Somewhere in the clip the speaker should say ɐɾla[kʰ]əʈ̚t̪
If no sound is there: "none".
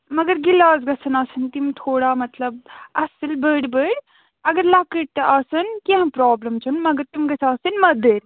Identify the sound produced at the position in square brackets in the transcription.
k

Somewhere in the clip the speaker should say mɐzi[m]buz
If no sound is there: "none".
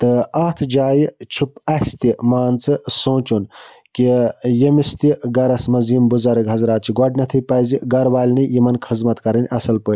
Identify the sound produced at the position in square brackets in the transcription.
m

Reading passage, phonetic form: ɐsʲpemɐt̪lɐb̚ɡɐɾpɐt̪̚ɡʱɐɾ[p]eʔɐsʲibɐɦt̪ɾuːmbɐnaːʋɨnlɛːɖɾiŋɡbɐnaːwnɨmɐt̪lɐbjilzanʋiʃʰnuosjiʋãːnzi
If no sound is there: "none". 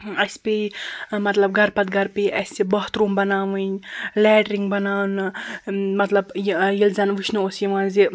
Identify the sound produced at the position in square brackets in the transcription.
p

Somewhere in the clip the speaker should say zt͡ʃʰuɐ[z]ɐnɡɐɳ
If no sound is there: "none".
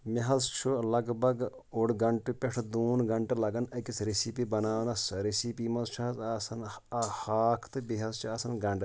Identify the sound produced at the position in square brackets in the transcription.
s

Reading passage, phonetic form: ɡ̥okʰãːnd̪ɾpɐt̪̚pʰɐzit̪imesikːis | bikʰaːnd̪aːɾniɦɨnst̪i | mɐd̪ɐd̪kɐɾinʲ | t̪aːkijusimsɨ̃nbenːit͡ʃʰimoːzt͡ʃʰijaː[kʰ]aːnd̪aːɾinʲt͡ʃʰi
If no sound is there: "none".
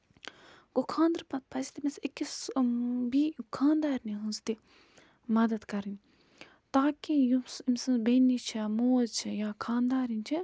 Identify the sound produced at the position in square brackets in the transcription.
kʰ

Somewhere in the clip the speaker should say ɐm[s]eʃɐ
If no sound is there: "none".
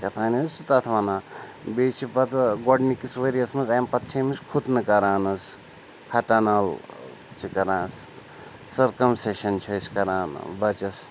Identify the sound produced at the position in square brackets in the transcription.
s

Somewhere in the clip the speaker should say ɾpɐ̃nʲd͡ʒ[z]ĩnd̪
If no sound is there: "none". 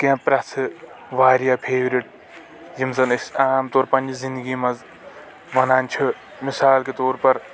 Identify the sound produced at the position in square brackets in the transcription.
z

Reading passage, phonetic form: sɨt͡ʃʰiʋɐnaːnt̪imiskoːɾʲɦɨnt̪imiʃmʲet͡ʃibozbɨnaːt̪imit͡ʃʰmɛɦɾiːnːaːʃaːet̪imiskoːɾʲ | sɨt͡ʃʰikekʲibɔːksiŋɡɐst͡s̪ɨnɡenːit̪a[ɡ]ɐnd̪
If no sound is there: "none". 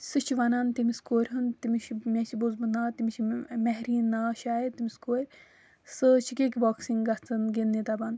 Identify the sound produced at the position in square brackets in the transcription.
b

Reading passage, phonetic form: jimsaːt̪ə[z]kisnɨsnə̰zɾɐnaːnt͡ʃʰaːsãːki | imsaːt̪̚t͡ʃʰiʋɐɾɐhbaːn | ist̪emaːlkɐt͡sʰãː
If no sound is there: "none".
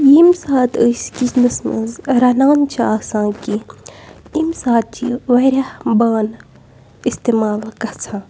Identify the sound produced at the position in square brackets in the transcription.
s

